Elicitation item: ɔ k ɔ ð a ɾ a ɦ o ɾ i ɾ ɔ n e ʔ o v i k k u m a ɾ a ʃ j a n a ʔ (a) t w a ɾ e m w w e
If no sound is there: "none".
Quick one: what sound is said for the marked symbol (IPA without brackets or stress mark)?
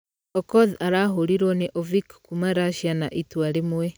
i